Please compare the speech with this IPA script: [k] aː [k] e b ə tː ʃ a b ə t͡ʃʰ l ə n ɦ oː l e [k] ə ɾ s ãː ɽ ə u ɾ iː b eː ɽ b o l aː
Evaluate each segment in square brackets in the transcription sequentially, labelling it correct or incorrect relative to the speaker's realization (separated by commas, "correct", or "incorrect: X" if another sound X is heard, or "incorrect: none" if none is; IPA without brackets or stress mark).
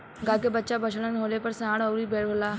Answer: incorrect: ɡ, correct, incorrect: p